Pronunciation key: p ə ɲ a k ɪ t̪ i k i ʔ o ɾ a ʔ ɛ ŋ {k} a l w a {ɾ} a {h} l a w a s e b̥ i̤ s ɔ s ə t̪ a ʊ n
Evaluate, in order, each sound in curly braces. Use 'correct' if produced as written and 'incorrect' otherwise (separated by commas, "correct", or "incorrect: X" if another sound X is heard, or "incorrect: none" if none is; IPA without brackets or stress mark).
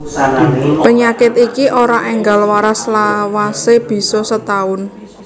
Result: incorrect: ɡ, correct, incorrect: s